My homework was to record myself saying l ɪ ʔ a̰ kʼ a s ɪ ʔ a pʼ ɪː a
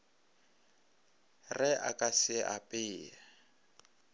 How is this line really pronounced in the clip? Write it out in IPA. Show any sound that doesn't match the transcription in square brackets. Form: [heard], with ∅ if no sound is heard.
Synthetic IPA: [r] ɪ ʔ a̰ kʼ a s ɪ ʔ a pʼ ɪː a